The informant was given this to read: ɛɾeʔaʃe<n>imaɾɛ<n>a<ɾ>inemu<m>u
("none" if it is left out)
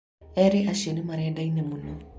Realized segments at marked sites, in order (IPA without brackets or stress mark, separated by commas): n, d, none, n